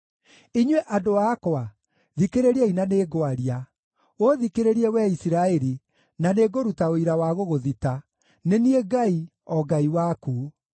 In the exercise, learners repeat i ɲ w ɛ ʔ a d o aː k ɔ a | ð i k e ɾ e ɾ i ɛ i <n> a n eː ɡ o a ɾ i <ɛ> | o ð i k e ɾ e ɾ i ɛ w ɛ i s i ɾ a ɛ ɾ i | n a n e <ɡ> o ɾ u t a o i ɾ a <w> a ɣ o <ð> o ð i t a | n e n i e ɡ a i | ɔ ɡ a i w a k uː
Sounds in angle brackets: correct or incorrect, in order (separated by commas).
correct, incorrect, correct, correct, incorrect